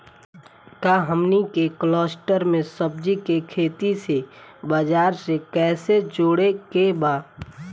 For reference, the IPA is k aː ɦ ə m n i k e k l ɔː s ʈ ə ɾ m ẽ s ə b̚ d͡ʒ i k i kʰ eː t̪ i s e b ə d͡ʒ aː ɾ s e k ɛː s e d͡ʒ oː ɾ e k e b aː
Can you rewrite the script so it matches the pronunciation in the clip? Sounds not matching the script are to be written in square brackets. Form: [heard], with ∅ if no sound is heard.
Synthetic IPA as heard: k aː ɦ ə m n i k e k l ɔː s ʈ ə ɾ m ẽ s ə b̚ d͡ʒ i k [e] kʰ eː t̪ i s e b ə d͡ʒ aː ɾ s e k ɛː s e d͡ʒ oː [ɽ] e k e b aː